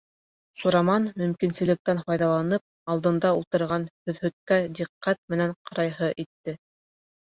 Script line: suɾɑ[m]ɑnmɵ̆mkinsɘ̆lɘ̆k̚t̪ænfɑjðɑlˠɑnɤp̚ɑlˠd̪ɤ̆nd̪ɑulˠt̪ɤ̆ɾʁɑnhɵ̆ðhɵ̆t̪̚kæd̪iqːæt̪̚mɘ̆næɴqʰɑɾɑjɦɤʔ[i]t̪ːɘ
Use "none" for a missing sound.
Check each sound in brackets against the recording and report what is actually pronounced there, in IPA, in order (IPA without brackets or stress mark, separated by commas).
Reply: m, i